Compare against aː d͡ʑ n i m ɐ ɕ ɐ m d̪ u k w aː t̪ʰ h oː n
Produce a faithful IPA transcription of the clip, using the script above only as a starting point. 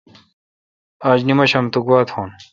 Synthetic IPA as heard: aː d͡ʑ n i m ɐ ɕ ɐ m t̪ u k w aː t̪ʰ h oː n